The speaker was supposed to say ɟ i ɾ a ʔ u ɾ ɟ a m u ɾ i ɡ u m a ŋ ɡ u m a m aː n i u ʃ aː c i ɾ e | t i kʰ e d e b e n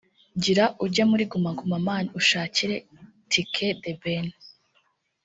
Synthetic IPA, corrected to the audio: ɟ i ɾ a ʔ u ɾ ɟ a m u ɾ i ɡ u m a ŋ ɡ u m a m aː n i u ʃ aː c i ɾ e | t i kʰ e d e b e n